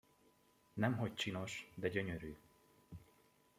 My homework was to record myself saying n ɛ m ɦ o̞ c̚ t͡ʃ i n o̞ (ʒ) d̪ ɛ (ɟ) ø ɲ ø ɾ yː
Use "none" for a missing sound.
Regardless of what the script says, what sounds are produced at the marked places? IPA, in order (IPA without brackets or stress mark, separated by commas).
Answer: ʃ, ɟ